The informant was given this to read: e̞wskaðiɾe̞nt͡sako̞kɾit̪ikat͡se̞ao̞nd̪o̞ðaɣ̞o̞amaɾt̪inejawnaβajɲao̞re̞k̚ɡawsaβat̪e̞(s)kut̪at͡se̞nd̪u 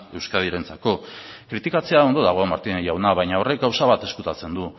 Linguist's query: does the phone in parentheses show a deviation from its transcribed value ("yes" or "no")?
no